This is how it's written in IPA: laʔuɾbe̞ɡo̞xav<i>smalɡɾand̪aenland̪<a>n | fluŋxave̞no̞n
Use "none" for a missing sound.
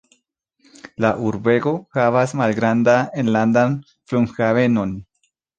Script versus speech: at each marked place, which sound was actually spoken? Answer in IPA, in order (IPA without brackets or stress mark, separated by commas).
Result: a, a